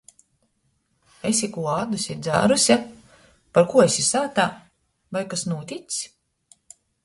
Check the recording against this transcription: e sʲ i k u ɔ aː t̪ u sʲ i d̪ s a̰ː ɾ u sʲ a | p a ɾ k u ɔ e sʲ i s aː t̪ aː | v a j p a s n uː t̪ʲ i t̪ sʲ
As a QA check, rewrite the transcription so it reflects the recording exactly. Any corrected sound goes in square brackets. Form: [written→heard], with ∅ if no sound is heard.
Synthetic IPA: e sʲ i k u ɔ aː [t̪→d̪] u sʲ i d̪ [s→z] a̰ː ɾ u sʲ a | p a ɾ k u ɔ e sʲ i s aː t̪ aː | v a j [p→k] a s n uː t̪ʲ i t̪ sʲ

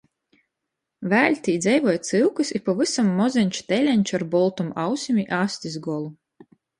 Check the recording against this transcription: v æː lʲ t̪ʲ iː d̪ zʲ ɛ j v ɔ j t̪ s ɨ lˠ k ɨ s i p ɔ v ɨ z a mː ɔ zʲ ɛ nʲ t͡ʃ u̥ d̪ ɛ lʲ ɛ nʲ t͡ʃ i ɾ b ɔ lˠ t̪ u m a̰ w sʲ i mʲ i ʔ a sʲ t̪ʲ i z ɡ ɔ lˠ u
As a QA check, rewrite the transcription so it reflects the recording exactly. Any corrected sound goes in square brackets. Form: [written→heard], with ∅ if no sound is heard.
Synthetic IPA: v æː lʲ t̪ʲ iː d̪ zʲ ɛ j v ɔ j t̪ s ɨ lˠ k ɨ s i p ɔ v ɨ [z→s] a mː ɔ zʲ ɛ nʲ t͡ʃ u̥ [d̪→t̪] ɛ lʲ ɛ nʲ t͡ʃ [i→a] ɾ b ɔ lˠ t̪ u m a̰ w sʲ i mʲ i ʔ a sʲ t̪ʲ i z ɡ ɔ lˠ u

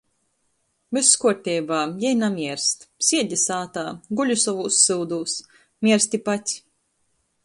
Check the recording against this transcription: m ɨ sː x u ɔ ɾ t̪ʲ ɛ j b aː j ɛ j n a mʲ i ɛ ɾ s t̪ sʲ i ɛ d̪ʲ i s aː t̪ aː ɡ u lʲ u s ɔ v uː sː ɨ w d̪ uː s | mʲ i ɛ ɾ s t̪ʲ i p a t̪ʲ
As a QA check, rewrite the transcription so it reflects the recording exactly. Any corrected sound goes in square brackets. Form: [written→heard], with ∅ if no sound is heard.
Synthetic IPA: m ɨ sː [x→k] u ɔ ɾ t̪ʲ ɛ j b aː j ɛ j n a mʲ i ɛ ɾ s t̪ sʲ i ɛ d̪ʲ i s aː t̪ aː ɡ u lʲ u s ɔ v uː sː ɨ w d̪ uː s | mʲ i ɛ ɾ s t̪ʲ i p a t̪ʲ

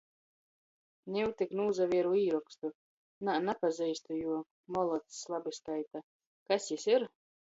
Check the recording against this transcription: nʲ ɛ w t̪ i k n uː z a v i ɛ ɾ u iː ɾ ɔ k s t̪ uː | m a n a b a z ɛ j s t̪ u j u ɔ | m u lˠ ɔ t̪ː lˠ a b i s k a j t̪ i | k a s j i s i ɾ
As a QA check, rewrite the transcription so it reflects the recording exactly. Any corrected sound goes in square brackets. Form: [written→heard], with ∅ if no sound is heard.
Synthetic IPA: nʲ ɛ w t̪ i k n uː z a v i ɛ ɾ u iː ɾ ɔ k s t̪ [uː→u] | [m→n] a n a [b→p] a z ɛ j s t̪ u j u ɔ | m [u→ɔ] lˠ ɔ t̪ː lˠ a b i s k a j t̪ [i→a] | k a s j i s i ɾ

